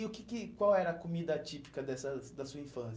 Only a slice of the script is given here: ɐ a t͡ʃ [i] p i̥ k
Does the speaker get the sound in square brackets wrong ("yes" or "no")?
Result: no